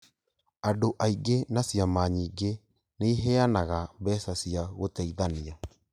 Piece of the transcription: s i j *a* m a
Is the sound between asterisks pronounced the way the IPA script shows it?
yes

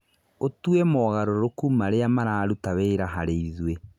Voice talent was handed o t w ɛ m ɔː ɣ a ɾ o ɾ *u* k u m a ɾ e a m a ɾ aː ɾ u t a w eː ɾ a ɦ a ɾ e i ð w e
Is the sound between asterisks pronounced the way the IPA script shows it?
no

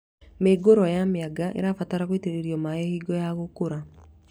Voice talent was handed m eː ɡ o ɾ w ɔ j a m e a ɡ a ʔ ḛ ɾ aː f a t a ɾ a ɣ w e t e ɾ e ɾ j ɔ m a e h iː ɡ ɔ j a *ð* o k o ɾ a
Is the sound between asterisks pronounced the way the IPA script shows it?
no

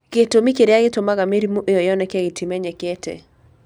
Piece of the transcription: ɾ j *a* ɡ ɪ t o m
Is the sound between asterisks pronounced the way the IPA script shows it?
yes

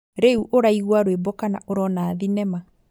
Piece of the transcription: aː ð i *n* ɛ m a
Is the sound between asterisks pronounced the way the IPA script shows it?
yes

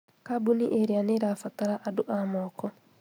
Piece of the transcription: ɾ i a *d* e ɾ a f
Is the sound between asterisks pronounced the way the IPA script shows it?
no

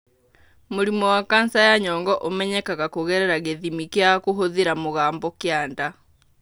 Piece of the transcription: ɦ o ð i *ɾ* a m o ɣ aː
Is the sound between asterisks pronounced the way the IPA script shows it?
yes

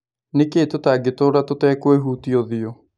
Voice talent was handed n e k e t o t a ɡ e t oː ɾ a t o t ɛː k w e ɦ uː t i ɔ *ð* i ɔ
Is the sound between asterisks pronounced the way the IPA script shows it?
yes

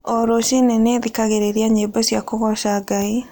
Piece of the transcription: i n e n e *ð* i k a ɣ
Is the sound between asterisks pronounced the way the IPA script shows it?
yes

